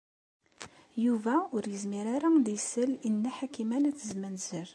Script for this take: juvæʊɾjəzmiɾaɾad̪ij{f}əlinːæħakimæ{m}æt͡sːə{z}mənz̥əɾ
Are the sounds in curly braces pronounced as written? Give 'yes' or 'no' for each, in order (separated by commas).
no, no, yes